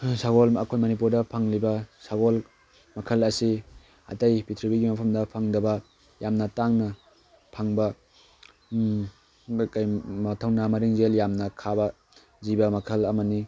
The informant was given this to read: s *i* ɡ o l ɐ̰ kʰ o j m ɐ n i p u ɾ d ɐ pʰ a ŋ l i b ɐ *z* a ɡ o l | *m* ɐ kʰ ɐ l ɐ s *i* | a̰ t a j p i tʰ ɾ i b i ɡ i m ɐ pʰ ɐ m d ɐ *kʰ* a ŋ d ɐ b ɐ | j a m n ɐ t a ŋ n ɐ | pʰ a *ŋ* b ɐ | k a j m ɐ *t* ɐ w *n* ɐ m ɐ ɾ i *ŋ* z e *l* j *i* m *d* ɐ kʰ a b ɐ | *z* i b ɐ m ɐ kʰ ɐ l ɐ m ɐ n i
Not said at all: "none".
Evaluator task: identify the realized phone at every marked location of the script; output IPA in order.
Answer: a, s, m, i, pʰ, ŋ, tʰ, n, ŋ, l, a, n, z

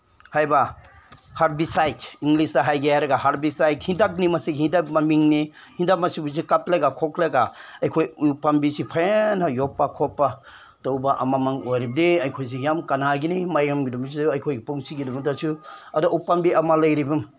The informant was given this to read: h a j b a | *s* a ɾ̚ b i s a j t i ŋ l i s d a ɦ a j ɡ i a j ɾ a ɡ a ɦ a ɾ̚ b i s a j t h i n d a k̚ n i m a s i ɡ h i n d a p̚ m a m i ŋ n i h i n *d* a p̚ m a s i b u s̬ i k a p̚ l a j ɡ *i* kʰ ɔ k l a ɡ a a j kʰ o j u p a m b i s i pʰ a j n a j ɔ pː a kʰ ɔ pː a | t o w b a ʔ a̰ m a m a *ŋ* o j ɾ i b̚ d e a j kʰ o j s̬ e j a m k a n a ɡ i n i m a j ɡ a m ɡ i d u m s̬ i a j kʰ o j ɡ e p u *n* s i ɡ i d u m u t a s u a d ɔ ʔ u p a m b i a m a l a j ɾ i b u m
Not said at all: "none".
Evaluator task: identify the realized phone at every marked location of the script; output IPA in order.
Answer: h, d, a, ŋ, ŋ

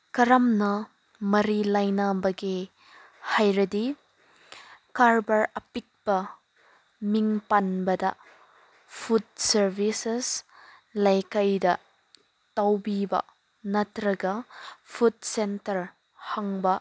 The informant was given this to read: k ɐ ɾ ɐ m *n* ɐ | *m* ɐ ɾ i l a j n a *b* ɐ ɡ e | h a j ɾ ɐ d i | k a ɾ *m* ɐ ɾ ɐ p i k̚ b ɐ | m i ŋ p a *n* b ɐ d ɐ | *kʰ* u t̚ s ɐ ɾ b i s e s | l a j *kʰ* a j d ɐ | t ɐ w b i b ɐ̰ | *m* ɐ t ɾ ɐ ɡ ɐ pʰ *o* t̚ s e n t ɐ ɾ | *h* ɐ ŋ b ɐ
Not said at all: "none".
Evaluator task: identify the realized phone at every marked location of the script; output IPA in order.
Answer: n, m, b, b, n, pʰ, k, n, u, h

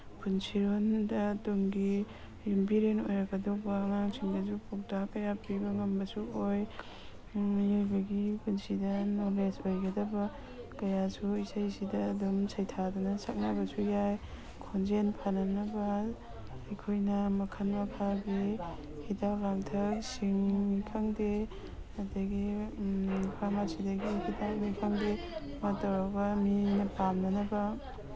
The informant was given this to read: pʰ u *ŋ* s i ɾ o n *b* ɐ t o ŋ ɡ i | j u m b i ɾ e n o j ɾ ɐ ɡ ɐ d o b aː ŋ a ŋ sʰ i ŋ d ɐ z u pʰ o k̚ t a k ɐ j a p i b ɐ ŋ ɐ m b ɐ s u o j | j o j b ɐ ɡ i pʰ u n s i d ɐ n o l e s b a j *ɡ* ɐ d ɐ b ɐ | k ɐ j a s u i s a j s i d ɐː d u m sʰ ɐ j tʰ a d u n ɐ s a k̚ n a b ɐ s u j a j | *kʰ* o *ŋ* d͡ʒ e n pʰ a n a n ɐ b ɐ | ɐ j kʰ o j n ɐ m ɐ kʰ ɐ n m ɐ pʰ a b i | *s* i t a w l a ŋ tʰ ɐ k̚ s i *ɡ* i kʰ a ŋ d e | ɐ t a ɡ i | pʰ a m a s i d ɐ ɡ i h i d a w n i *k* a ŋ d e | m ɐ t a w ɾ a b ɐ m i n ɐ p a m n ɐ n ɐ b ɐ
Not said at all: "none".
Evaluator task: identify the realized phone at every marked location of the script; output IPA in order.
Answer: n, d, ɡ, kʰ, n, h, ŋ, kʰ

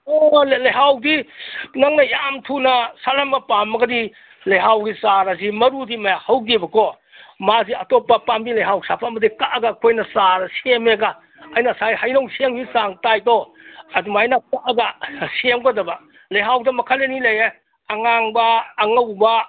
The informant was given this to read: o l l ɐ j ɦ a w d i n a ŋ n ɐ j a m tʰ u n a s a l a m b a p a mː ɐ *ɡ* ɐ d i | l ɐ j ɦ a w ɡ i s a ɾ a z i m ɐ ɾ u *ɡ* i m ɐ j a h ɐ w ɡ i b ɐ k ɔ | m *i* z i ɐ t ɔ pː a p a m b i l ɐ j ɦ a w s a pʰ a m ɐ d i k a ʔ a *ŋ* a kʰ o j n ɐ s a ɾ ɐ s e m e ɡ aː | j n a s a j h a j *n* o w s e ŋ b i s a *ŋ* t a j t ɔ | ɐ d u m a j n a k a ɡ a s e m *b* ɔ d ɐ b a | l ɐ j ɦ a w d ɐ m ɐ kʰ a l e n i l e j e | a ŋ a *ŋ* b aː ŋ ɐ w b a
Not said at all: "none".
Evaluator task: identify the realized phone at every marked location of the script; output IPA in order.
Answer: ɡ, d, a, ɡ, n, ŋ, ɡ, ŋ

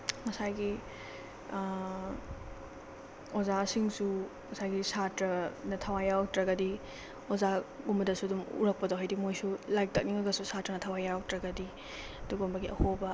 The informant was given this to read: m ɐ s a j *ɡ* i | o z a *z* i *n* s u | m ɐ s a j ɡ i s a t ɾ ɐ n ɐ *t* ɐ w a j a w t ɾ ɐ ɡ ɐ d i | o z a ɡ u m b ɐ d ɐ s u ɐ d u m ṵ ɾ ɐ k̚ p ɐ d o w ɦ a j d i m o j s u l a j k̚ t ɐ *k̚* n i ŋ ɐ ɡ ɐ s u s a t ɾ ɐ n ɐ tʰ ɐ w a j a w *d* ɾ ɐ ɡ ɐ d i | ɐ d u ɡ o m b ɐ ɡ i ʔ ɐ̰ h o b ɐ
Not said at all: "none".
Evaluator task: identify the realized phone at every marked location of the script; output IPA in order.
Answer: ɡ, s, ŋ, tʰ, k̚, t

